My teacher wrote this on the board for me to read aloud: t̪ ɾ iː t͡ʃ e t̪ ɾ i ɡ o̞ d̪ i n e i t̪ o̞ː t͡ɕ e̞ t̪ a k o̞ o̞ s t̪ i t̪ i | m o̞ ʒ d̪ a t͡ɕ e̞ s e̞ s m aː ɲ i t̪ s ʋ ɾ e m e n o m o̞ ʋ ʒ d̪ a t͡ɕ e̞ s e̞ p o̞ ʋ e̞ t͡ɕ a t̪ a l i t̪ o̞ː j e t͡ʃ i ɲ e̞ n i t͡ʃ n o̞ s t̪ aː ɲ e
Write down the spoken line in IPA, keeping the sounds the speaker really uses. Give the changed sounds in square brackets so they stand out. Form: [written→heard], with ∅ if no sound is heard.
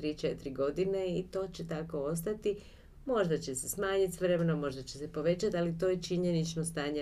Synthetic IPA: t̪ ɾ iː t͡ʃ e t̪ ɾ i ɡ o̞ d̪ i n e i t̪ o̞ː t͡ɕ e̞ t̪ a k o̞ o̞ s t̪ [i→a] t̪ i | m o̞ ʒ d̪ a t͡ɕ e̞ s e̞ s m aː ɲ i t̪ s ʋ ɾ e m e n o m o̞ [ʋ→∅] ʒ d̪ a t͡ɕ e̞ s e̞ p o̞ ʋ e̞ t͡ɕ a t̪ a l i t̪ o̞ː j e t͡ʃ i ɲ e̞ n i t͡ʃ n o̞ s t̪ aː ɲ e